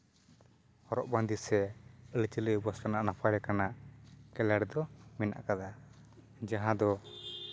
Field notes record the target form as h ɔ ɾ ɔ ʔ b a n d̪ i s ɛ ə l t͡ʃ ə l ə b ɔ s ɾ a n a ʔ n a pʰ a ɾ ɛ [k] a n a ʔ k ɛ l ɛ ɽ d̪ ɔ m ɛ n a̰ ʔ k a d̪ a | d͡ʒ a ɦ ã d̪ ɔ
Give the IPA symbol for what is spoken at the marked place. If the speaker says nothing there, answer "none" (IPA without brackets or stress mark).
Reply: k